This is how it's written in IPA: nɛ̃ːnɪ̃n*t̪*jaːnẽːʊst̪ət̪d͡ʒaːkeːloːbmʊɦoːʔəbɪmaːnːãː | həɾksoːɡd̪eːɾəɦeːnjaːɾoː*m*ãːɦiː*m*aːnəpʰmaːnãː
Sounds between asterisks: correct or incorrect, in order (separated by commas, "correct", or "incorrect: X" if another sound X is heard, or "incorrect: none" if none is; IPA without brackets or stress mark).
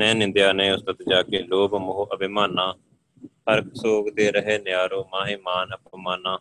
incorrect: d̪, correct, correct